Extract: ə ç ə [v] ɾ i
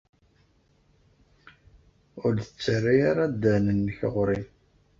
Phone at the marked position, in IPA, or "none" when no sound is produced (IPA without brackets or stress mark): ʁ